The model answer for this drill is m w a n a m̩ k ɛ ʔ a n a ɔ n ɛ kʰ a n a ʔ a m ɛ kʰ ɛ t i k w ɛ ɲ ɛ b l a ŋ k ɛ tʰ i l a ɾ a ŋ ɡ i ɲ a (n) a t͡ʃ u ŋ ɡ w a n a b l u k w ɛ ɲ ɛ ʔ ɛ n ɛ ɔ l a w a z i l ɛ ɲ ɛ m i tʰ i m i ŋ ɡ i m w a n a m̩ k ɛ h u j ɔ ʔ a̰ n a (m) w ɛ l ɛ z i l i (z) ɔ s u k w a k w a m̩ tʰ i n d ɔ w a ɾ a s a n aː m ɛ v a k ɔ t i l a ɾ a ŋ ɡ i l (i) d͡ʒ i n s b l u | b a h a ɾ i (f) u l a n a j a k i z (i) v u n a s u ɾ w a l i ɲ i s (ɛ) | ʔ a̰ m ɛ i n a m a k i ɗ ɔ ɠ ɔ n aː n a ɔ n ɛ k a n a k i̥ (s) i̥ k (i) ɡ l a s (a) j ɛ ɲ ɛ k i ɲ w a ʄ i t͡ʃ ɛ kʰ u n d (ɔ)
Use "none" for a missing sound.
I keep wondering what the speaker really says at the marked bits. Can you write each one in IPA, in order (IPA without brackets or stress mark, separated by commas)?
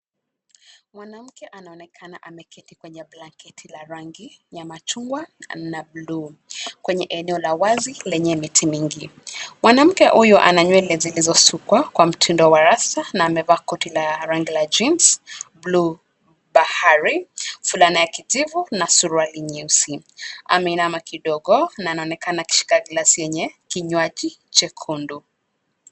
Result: m, ɲ, z, a, f, i, i, ʃ, a, i, u